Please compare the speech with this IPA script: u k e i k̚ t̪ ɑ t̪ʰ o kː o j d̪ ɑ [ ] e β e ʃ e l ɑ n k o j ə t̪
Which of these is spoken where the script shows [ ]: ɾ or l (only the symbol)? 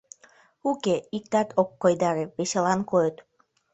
ɾ